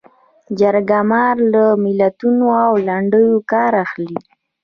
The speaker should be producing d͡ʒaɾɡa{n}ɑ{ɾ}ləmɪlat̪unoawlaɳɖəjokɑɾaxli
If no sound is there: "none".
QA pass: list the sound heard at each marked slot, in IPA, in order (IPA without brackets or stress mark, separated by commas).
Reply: m, ɾ